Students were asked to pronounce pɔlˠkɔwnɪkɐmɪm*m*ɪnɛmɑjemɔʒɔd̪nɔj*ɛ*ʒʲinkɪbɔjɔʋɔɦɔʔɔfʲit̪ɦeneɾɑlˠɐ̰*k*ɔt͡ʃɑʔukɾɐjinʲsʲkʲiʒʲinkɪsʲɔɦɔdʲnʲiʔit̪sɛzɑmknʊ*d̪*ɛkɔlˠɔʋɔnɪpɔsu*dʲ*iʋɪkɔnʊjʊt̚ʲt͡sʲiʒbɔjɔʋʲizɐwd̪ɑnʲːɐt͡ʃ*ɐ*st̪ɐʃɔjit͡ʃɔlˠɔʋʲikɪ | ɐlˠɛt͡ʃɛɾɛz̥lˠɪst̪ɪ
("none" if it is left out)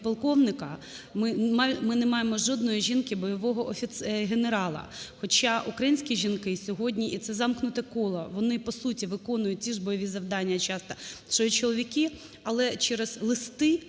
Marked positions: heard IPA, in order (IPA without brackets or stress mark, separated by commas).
m, i, x, t̪, tʲ, ɑ